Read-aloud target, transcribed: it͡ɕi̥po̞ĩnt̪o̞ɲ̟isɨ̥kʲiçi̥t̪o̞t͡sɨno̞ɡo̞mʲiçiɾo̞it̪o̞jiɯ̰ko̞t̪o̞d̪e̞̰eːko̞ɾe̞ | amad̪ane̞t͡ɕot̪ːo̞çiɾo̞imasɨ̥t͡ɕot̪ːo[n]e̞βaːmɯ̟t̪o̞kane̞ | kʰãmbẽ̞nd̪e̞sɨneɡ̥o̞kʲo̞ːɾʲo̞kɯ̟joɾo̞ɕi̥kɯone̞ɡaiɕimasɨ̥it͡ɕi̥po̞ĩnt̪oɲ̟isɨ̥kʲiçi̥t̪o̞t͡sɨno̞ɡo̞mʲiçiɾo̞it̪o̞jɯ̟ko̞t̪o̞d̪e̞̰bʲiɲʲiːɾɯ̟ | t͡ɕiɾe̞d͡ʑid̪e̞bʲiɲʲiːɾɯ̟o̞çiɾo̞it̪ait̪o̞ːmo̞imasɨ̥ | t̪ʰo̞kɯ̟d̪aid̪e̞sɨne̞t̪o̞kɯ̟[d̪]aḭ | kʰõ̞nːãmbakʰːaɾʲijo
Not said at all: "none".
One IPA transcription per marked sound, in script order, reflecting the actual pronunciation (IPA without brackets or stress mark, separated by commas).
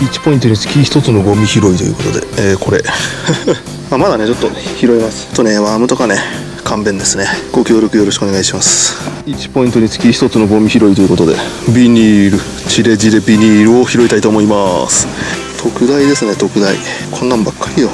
n, d̪